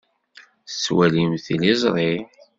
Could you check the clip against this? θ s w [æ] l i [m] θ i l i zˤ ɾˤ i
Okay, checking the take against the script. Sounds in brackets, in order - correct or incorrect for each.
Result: correct, correct

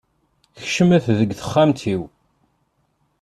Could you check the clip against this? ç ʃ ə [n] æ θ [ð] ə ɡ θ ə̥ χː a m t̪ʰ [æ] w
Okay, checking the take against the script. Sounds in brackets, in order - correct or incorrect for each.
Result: incorrect: m, correct, incorrect: i

